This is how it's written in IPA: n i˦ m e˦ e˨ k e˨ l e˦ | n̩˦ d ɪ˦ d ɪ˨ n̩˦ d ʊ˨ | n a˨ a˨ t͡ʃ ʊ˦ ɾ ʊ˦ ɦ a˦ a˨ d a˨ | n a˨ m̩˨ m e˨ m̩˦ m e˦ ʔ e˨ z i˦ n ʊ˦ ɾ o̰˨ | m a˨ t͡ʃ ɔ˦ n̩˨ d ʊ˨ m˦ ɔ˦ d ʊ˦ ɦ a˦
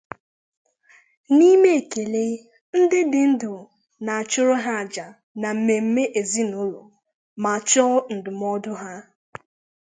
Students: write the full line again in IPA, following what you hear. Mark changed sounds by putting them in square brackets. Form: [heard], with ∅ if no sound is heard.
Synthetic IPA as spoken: n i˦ m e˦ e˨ k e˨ l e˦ | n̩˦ d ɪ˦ d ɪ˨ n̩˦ d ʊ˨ | n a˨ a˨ t͡ʃ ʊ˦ ɾ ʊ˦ ɦ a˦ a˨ [d͡ʒ] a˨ | n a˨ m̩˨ m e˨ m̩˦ m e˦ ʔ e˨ z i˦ n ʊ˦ [l] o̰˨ | m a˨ t͡ʃ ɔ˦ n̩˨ d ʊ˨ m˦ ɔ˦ d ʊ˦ ɦ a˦